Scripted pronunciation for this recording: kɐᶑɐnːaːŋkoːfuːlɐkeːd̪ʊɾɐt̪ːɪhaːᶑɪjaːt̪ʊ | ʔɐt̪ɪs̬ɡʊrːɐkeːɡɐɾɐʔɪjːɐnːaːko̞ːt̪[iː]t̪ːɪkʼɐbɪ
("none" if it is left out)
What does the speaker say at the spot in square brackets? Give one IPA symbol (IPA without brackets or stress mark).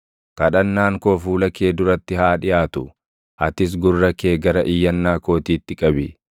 iː